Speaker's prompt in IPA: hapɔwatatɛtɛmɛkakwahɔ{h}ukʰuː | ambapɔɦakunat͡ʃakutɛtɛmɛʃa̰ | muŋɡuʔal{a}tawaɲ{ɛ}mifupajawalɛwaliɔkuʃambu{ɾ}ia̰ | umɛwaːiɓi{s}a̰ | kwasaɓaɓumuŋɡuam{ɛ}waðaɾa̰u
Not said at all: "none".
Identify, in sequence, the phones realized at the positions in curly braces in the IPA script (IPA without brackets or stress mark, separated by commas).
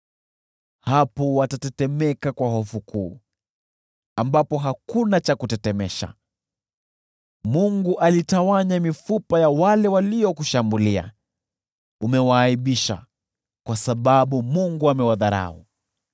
f, i, a, l, ʃ, ɛ